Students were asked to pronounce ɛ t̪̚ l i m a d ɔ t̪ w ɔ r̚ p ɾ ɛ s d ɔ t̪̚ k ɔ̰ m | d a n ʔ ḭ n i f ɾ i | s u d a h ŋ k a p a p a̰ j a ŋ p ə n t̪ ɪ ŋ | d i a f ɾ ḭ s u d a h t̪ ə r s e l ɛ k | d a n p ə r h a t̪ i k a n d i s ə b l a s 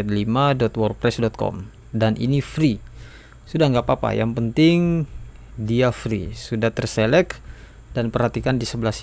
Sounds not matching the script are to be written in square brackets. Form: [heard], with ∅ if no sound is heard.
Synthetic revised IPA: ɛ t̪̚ l i m a d ɔ t̪ w ɔ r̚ p ɾ ɛ s d ɔ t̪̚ k ɔ̰ m | d a n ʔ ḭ n i f ɾ i | s u d a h ŋ [ɡ] a p a p a̰ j a ŋ p ə n t̪ ɪ ŋ | d i a f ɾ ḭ s u d a h t̪ ə r s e l ɛ k | d a n p ə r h a t̪ i k a n d i s ə b l a s

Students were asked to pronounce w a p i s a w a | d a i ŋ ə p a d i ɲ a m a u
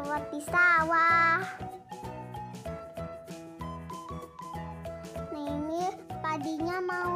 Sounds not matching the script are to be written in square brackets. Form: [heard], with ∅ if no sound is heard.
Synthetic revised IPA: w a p i s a w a | [n] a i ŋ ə p a d i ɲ a m a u

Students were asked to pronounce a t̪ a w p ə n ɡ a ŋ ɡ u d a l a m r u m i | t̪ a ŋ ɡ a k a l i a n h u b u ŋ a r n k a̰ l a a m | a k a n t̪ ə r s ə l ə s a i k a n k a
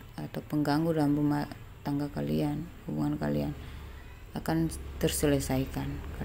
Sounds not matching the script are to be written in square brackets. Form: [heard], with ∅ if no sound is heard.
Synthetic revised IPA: a t̪ a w p ə [ŋ] ɡ a ŋ ɡ u d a l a m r u m [a] | t̪ a ŋ ɡ a k a l i a n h u b u ŋ a [∅] n k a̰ l [i] a [n] | a k a n t̪ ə r s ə l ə s a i k a n k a

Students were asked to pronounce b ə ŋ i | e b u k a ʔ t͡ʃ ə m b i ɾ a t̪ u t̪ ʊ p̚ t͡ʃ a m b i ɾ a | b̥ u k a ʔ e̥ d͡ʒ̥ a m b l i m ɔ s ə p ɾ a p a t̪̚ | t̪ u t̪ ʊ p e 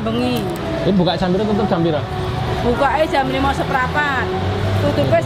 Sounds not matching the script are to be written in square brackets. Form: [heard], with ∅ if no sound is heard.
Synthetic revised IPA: b ə ŋ i | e b u k a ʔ t͡ʃ [a] m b i ɾ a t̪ u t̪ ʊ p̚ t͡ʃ a m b i ɾ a | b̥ u k a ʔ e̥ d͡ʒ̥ a m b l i m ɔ s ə p ɾ a p a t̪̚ | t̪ u t̪ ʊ p e

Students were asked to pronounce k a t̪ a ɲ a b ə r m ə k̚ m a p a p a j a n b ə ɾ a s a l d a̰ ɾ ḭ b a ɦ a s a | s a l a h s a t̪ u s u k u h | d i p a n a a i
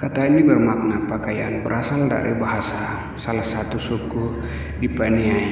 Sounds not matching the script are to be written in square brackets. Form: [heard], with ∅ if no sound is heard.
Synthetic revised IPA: k a t̪ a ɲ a b ə r m [a] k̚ [n] a p a [k] a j a n b ə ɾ a s a l d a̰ ɾ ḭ b a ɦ a s a | s a l a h s a t̪ u s u k u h | d i p a n [i] a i

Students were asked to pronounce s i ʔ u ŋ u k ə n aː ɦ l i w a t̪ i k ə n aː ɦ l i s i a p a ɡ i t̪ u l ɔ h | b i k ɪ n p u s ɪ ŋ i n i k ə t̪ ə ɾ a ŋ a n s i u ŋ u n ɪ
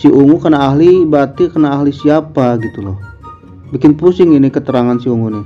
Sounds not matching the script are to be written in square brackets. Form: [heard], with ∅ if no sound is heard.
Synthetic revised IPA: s i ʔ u ŋ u k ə n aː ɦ l i [b] a t̪ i k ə n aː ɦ l i s i a p a ɡ i t̪ u l ɔ h | b i k ɪ n p u s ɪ ŋ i n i k ə t̪ ə ɾ a ŋ a n s i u ŋ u n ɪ

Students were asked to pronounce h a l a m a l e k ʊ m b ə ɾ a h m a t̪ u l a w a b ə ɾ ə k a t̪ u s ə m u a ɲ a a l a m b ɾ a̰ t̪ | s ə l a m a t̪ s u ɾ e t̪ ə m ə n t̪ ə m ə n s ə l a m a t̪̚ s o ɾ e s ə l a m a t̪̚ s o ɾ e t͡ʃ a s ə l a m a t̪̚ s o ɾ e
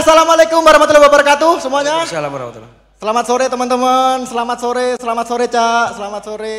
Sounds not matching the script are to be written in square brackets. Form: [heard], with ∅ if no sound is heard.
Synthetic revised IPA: [s] a l a m a l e k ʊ m b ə ɾ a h m a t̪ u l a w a b ə ɾ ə k a t̪ u s ə m u a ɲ a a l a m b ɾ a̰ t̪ | s ə l a m a t̪ s [o] ɾ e t̪ ə m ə n t̪ ə m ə n s ə l a m a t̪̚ s o ɾ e s ə l a m a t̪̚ s o ɾ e t͡ʃ a s ə l a m a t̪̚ s o ɾ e

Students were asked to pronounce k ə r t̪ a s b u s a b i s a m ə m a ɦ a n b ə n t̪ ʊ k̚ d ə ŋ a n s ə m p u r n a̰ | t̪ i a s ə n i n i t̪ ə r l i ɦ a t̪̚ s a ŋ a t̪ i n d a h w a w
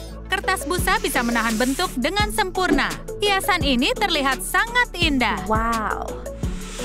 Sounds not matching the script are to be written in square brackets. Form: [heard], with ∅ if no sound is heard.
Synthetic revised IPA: k ə r t̪ a s b u s a b i s a m ə [n] a ɦ a n b ə n t̪ ʊ k̚ d ə ŋ a n s ə m p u r n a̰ | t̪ i a s [a] n i n i t̪ ə r l i ɦ a t̪̚ s a ŋ a t̪ i n d a h w a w

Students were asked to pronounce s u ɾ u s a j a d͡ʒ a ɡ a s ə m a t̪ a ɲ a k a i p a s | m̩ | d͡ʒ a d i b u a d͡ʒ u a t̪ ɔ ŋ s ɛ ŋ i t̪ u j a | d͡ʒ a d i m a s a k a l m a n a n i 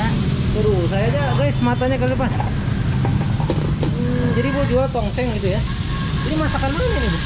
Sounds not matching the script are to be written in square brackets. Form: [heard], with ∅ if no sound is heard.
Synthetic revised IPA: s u ɾ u s a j a d͡ʒ a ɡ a s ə m a t̪ a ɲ a k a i p a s | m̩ | d͡ʒ a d i b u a d͡ʒ u a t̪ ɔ ŋ s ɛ ŋ i t̪ u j a | d͡ʒ a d i m a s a k a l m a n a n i

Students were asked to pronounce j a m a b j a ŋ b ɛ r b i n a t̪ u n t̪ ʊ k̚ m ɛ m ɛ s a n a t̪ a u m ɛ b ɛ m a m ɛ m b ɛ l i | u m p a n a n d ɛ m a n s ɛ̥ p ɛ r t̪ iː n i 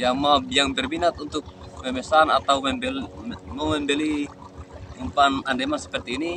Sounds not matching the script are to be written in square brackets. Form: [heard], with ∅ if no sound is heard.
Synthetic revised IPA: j a m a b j a ŋ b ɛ r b i n a t̪ u n t̪ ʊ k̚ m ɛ m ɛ s a n a t̪ a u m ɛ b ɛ m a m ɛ m b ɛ l i | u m p a n a n d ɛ m a n s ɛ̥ p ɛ r t̪ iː n i

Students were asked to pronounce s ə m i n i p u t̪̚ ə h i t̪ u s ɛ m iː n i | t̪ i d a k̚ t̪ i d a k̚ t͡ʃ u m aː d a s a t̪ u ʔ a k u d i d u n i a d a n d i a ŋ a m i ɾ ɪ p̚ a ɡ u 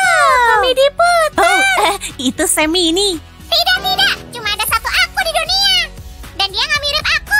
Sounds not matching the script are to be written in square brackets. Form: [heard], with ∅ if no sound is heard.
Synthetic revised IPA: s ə m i [d] i p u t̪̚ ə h i t̪ u s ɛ m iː n i | t̪ i d a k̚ t̪ i d a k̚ t͡ʃ u m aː d a s a t̪ u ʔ a k u d i d u n i a d a n d i a ŋ a m i ɾ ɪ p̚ a [k] u

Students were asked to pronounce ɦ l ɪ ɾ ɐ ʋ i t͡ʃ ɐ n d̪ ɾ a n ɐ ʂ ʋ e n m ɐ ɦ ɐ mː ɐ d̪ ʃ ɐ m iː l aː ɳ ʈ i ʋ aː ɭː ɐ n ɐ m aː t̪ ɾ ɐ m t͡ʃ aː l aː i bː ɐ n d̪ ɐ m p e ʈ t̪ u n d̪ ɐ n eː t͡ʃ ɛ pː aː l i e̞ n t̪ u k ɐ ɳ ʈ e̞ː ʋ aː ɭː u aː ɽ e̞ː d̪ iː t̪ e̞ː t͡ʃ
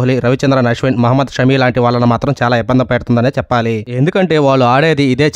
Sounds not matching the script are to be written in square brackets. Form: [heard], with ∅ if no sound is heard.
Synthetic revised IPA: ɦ l [i] ɾ ɐ ʋ i t͡ʃ ɐ n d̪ ɾ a n ɐ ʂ ʋ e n m ɐ ɦ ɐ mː ɐ d̪ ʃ ɐ m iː l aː ɳ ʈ i ʋ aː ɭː ɐ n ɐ m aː t̪ ɾ ɐ m t͡ʃ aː l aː i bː ɐ n d̪ ɐ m p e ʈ t̪ u n d̪ ɐ n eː t͡ʃ ɛ pː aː l i e̞ n [d̪] u k ɐ ɳ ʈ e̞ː ʋ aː ɭː u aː ɽ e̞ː d̪ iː [d̪] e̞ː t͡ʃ

